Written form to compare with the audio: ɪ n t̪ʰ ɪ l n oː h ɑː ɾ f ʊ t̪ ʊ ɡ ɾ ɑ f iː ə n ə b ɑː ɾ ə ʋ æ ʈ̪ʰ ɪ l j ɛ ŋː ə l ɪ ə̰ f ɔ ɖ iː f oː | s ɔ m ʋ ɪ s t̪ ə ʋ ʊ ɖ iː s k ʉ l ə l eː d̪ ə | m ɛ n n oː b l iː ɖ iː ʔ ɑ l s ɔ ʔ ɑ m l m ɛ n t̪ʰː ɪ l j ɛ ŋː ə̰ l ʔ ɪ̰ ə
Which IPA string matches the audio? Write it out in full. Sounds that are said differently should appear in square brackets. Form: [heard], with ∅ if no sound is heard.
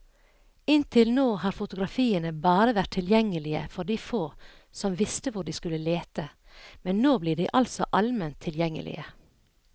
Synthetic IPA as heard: ɪ n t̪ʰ ɪ l n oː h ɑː ɾ f ʊ t̪ ʊ ɡ ɾ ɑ f iː ə n ə b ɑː ɾ ə ʋ æ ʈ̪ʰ ɪ l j ɛ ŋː ə l ɪ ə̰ f ɔ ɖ iː f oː | s ɔ m ʋ ɪ s t̪ ə ʋ ʊ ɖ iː s k ʉ l ə l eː [t̪] ə | m ɛ n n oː b l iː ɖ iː ʔ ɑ l s ɔ ʔ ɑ [∅] l m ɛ n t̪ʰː ɪ l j ɛ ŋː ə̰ l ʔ ɪ̰ ə